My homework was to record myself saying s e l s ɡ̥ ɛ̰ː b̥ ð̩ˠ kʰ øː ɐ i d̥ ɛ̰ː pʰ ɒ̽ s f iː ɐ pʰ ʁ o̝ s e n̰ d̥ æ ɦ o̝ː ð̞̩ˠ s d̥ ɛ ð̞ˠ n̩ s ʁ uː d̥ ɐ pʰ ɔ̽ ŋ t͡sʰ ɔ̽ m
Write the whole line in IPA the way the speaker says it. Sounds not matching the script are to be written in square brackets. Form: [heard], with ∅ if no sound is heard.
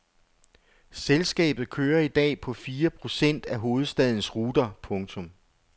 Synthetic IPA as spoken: s e l s ɡ̥ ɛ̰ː b̥ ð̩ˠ kʰ øː ɐ i d̥ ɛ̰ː pʰ ɒ̽ [∅] f iː ɐ pʰ ʁ o̝ s e n̰ d̥ æ ɦ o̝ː ð̞̩ˠ s d̥ ɛ ð̞ˠ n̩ s ʁ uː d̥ ɐ pʰ ɔ̽ ŋ t͡sʰ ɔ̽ m